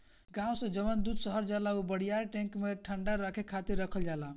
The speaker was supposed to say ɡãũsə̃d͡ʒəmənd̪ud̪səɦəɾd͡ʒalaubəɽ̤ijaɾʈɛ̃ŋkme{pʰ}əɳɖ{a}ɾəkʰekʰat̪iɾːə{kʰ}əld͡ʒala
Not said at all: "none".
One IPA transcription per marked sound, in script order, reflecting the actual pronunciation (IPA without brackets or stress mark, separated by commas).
ʈʰ, a, kʰ